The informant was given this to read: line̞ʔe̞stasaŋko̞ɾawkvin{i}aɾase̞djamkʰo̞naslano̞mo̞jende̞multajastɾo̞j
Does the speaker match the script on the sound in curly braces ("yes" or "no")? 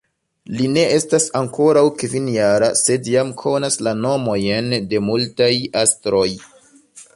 no